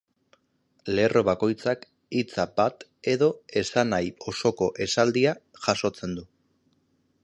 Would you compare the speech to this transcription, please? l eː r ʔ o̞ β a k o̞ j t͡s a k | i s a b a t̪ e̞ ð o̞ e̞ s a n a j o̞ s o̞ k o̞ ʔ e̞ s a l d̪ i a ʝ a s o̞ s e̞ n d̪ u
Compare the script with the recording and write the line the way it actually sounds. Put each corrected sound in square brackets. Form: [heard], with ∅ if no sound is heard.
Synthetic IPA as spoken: l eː r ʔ o̞ β a k o̞ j t͡s a k | i [t͡s] a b a t̪ e̞ ð o̞ e̞ s a n a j o̞ s o̞ k o̞ ʔ e̞ s a l d̪ i a ʝ a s o̞ [t͡s] e̞ n d̪ u